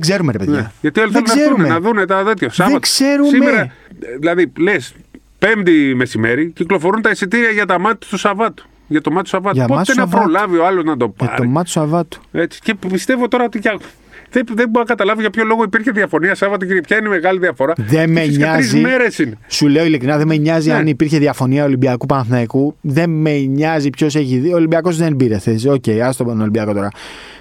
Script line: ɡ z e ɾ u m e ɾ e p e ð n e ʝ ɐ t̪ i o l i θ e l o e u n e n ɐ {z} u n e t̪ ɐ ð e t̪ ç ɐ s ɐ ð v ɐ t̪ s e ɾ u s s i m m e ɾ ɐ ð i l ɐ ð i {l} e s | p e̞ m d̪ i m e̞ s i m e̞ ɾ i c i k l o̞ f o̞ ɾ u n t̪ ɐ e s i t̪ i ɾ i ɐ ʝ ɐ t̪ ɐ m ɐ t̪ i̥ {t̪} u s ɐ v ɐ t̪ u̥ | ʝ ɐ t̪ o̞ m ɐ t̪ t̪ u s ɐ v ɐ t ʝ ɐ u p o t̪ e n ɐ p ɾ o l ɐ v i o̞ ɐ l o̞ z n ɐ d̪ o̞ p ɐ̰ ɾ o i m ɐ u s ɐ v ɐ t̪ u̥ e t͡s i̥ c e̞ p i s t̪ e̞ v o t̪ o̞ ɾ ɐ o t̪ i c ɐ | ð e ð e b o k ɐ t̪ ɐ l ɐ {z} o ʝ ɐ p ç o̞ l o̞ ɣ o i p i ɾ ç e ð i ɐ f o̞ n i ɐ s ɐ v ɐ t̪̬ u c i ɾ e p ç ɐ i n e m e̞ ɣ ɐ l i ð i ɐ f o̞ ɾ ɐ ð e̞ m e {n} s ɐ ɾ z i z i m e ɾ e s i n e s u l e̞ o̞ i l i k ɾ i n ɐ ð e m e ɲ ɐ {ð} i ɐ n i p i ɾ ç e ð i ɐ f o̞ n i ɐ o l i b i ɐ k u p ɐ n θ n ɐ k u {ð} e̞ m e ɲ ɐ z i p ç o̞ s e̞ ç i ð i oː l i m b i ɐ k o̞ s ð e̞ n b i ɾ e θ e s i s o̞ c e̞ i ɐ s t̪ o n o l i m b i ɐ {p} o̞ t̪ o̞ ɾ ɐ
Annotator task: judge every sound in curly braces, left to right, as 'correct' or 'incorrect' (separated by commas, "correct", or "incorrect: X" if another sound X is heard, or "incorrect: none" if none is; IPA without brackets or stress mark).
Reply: incorrect: ð, correct, correct, incorrect: v, incorrect: ɲ, incorrect: z, correct, incorrect: k